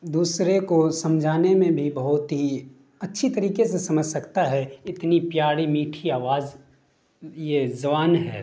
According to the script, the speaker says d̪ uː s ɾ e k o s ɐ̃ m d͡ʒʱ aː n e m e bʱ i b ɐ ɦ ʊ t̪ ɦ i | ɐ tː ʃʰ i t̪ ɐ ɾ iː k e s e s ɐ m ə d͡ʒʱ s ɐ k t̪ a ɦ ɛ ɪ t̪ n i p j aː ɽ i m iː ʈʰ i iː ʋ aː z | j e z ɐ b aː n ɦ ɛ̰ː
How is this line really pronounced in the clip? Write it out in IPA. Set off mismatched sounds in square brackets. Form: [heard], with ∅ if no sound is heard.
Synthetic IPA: d̪ uː s ɾ e k o s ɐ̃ m d͡ʒʱ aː n e m [ẽ] bʱ i b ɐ ɦ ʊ t̪ ɦ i | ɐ tː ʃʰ i t̪ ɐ ɾ iː k e s e s ɐ m ə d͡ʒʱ s ɐ k t̪ a ɦ ɛ ɪ t̪ n i p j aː ɽ i m iː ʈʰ i [aː] ʋ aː z | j e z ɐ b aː n ɦ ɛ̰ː